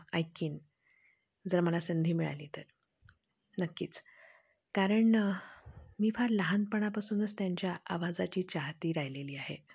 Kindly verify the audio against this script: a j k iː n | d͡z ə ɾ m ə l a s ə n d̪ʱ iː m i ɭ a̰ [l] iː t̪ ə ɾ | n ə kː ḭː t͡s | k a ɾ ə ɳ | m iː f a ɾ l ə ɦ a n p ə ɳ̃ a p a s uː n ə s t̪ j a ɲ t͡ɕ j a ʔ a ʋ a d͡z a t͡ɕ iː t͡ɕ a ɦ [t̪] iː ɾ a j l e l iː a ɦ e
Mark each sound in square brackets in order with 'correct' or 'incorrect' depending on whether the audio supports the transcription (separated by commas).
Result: correct, correct